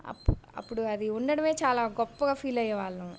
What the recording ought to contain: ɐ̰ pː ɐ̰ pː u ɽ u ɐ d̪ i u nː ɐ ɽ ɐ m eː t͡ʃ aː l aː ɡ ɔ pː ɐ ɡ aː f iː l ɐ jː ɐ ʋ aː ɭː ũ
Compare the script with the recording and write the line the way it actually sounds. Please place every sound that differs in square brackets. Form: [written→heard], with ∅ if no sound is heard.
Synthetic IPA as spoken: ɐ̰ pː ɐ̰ pː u ɽ u ɐ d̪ i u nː ɐ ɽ ɐ m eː t͡ʃ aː l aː ɡ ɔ pː ɐ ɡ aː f iː l ɐ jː ɐ ʋ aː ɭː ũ